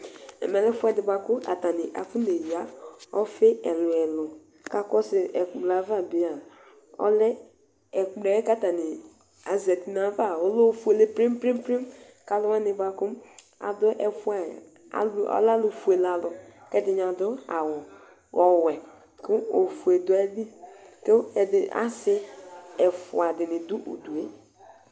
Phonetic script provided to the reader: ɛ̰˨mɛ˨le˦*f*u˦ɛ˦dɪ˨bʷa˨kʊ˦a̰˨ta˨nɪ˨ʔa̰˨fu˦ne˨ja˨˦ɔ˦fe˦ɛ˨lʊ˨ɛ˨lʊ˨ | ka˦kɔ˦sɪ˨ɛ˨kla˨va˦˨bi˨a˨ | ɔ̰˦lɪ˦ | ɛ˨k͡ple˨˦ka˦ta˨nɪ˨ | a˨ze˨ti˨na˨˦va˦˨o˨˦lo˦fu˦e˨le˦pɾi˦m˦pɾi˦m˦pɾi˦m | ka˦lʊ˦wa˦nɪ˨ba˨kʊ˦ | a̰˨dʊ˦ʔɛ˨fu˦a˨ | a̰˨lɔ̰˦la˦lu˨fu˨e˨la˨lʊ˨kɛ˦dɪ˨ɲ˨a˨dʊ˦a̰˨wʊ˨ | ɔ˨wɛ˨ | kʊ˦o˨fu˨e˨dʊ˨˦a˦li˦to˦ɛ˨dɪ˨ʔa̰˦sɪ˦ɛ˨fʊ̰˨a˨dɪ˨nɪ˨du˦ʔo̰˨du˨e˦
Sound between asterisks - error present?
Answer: no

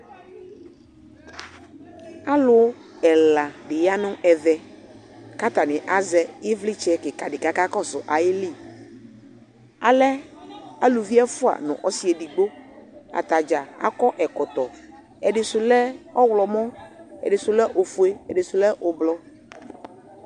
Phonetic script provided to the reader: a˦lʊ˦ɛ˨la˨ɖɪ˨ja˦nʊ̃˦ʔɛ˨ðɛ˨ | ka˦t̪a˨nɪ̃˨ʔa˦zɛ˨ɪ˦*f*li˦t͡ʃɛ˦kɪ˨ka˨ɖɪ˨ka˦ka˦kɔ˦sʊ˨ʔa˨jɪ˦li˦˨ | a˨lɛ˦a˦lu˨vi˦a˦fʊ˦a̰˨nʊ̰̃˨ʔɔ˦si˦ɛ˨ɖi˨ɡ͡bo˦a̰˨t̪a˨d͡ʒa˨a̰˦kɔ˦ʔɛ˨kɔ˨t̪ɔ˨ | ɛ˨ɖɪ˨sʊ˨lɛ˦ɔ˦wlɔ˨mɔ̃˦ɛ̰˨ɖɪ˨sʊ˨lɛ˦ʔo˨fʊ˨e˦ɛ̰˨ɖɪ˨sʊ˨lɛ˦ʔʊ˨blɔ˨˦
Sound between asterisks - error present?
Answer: yes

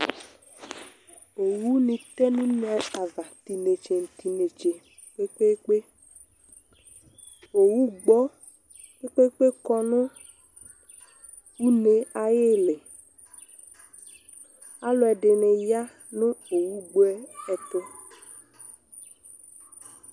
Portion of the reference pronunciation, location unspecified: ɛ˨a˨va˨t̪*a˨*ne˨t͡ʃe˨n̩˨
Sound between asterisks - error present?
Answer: yes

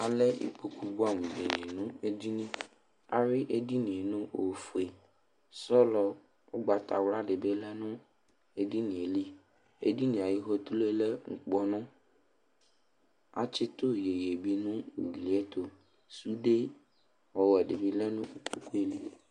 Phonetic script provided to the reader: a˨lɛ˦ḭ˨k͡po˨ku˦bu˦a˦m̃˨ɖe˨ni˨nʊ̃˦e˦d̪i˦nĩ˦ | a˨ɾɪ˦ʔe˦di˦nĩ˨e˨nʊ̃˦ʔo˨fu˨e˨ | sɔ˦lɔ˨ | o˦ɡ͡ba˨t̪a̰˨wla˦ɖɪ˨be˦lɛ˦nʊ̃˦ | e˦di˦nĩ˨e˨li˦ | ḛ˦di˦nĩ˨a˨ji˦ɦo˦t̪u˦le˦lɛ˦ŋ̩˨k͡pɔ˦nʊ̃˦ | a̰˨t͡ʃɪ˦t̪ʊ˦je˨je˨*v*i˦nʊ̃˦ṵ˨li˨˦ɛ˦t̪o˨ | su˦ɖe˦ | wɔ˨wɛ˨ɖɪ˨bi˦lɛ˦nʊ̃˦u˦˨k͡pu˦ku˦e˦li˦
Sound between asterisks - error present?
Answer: yes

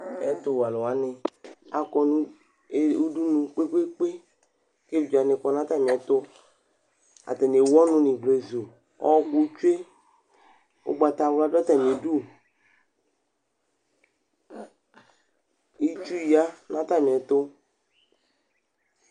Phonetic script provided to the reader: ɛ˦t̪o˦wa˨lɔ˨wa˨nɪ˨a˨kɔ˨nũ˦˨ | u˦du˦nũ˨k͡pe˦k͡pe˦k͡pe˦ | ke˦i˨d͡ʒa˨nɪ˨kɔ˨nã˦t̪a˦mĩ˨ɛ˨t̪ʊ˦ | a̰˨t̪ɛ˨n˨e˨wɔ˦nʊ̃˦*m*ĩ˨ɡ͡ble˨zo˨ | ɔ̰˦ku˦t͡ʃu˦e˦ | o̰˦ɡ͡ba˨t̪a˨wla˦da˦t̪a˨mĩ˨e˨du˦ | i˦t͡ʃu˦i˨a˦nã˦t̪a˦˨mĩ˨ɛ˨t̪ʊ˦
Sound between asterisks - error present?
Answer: yes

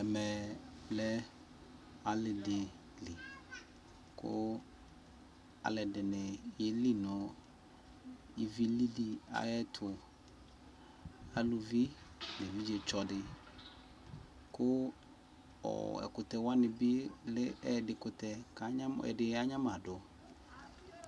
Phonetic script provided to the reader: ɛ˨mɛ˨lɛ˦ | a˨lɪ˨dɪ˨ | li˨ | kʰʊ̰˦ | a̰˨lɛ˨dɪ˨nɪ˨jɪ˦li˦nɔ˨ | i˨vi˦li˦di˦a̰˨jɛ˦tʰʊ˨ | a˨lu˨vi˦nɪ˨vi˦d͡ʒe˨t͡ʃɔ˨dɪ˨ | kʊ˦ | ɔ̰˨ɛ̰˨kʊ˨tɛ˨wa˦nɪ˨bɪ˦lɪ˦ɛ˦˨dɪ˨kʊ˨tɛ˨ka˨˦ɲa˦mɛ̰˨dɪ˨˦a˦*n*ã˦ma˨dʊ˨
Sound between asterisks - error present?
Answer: yes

